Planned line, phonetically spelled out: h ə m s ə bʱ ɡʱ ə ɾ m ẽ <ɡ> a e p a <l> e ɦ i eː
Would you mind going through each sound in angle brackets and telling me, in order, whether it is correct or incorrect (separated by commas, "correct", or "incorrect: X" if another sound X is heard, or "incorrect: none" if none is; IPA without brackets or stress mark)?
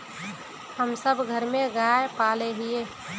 correct, correct